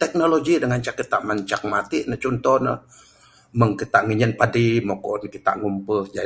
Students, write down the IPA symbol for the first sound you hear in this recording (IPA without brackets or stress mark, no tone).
t̪